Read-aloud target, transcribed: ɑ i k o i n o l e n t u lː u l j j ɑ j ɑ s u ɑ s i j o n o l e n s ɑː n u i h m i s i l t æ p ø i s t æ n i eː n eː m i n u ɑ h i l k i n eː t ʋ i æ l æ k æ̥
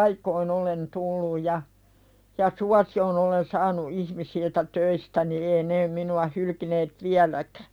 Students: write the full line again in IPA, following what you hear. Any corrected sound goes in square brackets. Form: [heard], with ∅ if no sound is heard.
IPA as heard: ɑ i k o i n o l e n t u lː u [∅] j j ɑ j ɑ s u ɑ s i j o n o l e n s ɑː n u i h m i s i l t æ [t] ø i s t æ n i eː n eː m i n u ɑ h [y] l k i n eː t ʋ i æ l æ k æ̥